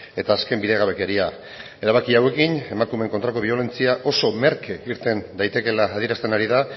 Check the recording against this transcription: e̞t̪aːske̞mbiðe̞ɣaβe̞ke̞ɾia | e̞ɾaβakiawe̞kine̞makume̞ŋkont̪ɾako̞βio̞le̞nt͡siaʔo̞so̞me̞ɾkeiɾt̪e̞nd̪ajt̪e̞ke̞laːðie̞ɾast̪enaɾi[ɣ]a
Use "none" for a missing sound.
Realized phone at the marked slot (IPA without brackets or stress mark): ð